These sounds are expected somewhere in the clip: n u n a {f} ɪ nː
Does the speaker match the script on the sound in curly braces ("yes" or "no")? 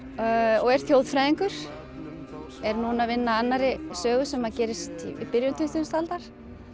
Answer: no